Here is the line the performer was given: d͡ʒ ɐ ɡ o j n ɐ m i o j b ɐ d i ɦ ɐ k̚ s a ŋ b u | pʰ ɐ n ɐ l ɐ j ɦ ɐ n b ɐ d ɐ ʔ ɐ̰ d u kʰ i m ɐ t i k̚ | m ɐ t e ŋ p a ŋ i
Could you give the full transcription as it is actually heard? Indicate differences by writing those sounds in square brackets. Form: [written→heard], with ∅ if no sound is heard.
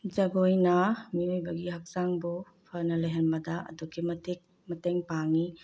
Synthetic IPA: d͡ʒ ɐ ɡ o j n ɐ m i o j b ɐ [d→ɡ] i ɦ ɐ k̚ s a ŋ b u | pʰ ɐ n ɐ l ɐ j ɦ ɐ n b ɐ d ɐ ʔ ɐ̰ d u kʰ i m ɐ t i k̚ | m ɐ t e ŋ p a ŋ i